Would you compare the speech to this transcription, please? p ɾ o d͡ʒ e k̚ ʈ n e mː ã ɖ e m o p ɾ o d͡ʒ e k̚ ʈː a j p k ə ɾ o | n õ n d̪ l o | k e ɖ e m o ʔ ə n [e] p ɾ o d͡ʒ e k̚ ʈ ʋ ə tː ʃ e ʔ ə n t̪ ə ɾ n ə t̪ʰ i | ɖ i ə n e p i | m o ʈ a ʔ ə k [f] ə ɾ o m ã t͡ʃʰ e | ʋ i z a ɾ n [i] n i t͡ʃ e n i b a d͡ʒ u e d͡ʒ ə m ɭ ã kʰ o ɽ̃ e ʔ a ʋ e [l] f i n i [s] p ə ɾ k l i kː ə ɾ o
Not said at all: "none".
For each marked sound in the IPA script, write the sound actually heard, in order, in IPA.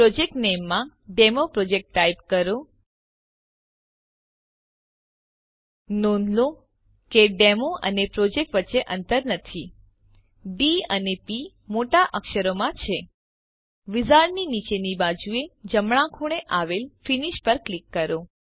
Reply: e, ʃ, i, l, ʃ

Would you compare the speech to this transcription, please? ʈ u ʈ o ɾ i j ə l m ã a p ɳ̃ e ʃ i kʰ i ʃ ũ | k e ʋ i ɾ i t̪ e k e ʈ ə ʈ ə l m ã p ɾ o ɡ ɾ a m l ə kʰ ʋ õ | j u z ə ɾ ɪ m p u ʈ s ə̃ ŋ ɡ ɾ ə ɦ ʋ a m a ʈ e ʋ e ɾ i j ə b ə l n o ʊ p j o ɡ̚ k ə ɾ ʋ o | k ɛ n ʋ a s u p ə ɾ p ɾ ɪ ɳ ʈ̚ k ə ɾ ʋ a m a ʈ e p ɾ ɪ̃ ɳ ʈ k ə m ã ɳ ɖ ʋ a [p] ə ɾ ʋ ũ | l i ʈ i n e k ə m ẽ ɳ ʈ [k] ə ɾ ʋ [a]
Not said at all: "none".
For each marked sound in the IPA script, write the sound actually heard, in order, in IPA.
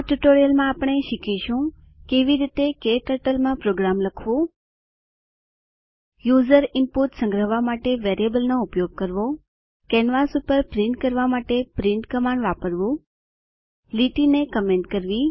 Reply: p, k, i

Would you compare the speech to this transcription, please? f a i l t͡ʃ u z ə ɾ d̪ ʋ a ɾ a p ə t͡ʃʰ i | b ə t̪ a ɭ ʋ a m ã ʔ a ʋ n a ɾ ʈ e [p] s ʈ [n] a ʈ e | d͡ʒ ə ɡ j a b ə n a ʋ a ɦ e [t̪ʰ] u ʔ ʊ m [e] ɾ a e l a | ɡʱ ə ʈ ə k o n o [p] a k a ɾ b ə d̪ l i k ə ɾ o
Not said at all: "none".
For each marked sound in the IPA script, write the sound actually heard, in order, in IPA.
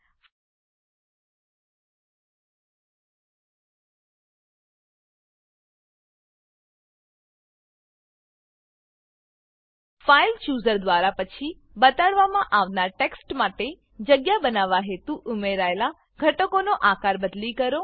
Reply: k, m, t̪, e, ʔ

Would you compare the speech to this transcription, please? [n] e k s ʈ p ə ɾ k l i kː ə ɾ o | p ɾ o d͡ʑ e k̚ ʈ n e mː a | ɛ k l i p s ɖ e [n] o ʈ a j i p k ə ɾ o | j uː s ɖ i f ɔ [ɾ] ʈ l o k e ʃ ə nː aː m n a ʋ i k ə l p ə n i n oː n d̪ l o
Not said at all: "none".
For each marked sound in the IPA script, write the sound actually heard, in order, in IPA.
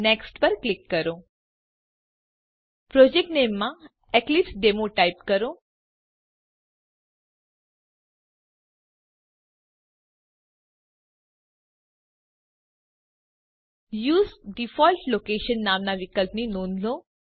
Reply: n, m, l

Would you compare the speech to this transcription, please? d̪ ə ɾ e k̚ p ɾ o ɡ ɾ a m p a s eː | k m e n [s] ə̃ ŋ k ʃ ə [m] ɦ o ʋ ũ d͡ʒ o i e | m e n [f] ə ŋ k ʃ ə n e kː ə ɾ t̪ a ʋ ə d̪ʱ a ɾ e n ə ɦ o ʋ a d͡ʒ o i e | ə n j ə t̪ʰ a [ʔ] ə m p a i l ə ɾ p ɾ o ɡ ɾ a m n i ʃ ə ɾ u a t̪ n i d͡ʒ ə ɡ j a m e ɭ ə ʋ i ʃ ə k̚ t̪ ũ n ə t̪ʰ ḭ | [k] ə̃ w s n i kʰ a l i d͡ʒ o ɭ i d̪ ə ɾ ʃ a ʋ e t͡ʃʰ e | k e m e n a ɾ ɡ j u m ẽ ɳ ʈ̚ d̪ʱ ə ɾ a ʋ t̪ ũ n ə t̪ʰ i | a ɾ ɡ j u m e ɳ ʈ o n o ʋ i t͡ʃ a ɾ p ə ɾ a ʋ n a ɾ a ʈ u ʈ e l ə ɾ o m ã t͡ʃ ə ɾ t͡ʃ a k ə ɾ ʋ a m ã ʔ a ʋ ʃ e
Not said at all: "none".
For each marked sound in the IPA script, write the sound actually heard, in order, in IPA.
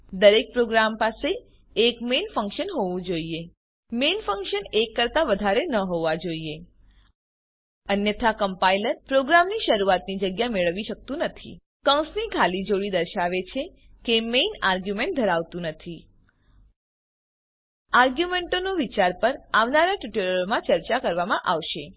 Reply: f, n, f, k, k

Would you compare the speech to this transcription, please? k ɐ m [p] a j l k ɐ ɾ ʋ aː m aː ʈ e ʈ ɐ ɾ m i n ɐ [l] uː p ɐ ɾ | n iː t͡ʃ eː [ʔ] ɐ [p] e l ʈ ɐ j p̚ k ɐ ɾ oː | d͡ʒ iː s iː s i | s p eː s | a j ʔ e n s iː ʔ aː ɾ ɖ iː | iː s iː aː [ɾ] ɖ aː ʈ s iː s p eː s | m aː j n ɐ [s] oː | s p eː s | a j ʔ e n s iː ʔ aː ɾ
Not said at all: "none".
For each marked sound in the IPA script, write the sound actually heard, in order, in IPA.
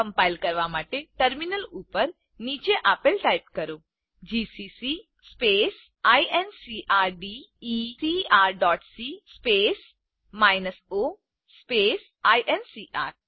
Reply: p, l, ʔ, p, ɾ, s

